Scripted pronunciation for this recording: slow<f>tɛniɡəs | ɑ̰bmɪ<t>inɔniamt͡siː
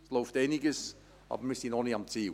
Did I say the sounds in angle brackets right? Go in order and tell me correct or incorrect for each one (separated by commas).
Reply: correct, incorrect